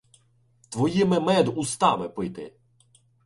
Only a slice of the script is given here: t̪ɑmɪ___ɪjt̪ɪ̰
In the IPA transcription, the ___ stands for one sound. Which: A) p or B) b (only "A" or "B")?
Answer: A